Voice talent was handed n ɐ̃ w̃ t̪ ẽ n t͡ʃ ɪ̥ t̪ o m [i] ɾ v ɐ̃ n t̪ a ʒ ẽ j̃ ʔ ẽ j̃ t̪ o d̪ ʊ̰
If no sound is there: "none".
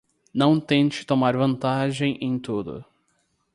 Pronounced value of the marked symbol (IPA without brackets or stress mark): a